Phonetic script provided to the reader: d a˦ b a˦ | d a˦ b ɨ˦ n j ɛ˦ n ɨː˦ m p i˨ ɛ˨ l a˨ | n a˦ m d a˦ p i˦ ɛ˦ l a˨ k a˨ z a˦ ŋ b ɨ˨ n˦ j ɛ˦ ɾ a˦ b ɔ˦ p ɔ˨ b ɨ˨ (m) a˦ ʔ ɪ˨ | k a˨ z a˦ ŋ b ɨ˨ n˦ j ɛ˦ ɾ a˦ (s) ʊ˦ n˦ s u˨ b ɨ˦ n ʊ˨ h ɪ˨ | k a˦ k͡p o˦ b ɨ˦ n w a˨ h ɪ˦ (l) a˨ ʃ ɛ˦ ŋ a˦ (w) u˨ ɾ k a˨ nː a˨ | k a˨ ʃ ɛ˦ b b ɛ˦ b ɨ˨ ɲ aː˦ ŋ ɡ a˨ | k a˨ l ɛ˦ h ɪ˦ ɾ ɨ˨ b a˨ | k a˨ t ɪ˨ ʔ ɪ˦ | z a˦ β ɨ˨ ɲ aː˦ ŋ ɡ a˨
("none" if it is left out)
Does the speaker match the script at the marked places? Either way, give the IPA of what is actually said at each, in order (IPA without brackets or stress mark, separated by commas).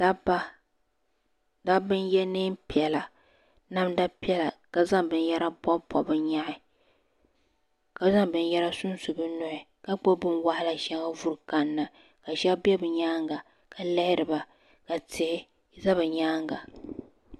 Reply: ɲ, s, l, v